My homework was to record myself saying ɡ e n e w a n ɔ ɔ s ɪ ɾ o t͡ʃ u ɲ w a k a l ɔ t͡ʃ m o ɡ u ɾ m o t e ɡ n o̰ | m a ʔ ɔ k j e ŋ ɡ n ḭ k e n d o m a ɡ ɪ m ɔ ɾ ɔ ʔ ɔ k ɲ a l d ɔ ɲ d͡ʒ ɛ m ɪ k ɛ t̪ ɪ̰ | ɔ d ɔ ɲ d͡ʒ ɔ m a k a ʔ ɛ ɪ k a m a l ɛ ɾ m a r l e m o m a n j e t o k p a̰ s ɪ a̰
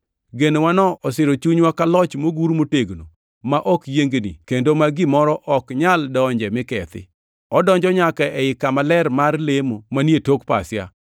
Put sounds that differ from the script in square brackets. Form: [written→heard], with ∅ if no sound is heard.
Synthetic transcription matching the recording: ɡ e n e w a n ɔ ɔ s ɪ ɾ o t͡ʃ u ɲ w a k a l ɔ t͡ʃ m o ɡ u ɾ m o t e ɡ n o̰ | m a ʔ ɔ k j e ŋ ɡ n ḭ k e n d o m a ɡ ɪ m ɔ ɾ ɔ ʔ ɔ k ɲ a l d ɔ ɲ d͡ʒ ɛ m ɪ k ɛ t̪ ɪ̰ | ɔ d ɔ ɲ d͡ʒ ɔ [m→ɲ] a k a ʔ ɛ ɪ k a m a l ɛ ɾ m a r l e m o m a n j e t o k p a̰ s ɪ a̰